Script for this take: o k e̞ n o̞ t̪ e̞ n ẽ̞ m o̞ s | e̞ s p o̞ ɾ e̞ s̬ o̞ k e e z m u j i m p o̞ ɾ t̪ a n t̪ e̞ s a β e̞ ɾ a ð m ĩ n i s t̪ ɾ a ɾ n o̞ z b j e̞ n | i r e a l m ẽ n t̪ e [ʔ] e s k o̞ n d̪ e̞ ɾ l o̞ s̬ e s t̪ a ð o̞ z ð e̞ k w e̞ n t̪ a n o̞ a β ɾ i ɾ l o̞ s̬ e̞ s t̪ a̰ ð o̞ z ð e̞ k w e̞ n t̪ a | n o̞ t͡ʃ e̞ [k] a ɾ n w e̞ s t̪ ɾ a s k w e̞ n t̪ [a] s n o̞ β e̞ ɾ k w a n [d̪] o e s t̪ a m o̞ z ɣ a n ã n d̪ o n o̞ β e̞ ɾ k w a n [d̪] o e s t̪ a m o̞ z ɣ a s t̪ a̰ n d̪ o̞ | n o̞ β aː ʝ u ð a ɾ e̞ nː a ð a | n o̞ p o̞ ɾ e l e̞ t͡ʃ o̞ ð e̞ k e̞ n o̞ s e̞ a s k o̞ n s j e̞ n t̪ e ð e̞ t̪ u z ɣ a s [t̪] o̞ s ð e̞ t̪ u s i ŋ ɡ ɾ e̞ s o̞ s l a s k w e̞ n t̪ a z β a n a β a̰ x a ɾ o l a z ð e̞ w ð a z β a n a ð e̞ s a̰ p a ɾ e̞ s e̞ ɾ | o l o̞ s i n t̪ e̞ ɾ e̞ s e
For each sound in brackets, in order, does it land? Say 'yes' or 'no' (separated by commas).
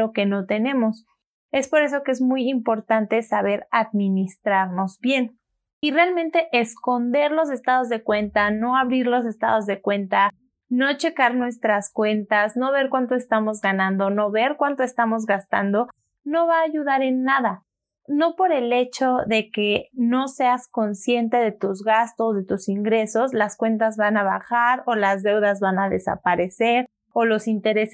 yes, yes, yes, no, no, yes